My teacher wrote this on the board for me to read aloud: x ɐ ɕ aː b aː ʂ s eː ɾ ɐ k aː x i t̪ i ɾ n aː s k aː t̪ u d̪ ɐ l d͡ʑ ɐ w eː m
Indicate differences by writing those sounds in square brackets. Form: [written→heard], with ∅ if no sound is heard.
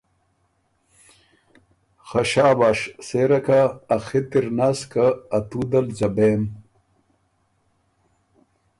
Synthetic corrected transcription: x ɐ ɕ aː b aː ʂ s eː ɾ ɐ k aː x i t̪ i ɾ n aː s k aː t̪ u d̪ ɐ l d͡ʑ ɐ [w→b] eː m